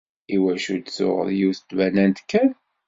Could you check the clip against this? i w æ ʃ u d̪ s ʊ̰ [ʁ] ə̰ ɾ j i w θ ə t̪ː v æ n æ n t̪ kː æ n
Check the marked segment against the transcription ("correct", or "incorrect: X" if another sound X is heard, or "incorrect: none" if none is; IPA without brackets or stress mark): correct